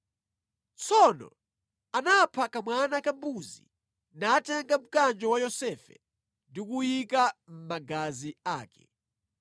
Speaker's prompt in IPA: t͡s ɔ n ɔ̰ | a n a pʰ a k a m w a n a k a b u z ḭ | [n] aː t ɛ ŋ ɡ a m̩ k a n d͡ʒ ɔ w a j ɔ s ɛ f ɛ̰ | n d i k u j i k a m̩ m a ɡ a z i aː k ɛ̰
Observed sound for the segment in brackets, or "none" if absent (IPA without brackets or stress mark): n